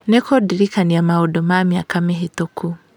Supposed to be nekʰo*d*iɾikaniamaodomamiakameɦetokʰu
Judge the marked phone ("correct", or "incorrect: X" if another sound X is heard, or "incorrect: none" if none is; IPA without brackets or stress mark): correct